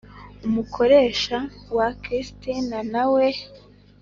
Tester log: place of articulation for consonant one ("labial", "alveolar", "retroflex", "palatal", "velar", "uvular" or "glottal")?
labial